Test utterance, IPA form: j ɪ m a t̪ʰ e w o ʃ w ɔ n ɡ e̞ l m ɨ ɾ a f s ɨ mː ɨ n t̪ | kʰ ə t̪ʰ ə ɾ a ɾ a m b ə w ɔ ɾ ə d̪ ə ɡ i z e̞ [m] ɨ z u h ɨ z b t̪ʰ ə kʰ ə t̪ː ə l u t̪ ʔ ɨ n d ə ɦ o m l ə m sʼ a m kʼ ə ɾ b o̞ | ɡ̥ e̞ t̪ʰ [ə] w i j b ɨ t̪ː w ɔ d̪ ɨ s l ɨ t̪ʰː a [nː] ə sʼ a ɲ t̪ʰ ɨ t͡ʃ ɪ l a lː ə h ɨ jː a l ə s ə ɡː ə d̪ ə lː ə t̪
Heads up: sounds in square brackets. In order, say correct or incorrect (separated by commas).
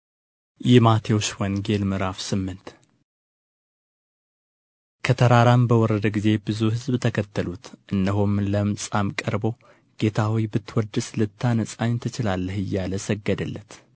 incorrect, incorrect, incorrect